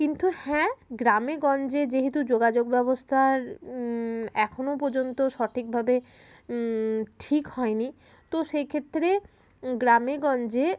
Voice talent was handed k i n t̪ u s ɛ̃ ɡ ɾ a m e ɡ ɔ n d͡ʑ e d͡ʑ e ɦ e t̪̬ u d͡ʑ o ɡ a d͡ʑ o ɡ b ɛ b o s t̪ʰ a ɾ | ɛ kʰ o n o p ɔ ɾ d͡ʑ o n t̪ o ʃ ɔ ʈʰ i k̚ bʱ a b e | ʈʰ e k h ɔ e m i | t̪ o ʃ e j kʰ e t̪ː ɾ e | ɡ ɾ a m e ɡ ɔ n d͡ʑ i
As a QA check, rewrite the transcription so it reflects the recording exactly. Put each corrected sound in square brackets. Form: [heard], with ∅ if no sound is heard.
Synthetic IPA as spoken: k i n t̪ u [h] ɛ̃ ɡ ɾ a m e ɡ ɔ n d͡ʑ e d͡ʑ e ɦ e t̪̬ u d͡ʑ o ɡ a d͡ʑ o ɡ b ɛ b o s t̪ʰ a ɾ | ɛ kʰ o n o p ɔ ɾ d͡ʑ o n t̪ o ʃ ɔ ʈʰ i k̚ bʱ a b e | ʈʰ [i] k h ɔ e [n] i | t̪ o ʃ e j kʰ e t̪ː ɾ e | ɡ ɾ a m e ɡ ɔ n d͡ʑ [e]